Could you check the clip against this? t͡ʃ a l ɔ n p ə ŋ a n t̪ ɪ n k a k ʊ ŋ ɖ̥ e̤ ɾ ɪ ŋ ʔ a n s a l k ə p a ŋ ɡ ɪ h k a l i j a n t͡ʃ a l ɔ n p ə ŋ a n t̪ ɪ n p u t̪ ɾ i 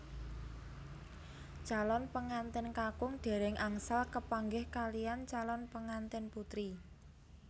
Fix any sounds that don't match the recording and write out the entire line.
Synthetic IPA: t͡ʃ a l ɔ n p ə ŋ a n t̪ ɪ n k a k ʊ ŋ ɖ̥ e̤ ɾ ɪ ŋ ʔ a ŋ s a l k ə p a ŋ ɡ ɪ h k a l i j a n t͡ʃ a l ɔ n p ə ŋ a n t̪ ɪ n p u t̪ ɾ i